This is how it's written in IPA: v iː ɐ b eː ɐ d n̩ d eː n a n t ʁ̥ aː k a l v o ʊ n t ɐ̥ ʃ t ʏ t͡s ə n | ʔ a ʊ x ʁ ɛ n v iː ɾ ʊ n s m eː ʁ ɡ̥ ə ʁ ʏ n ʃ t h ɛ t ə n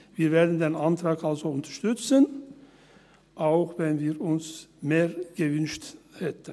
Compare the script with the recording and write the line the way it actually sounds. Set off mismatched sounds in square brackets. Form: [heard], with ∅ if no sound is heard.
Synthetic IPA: v iː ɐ [v] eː ɐ d n̩ d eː n a n t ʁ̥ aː k a l [z] o ʊ n t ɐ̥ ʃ t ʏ t͡s ə n | ʔ a ʊ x [v] ɛ n v iː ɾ ʊ n s m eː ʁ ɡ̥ ə [v] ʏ n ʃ t h ɛ t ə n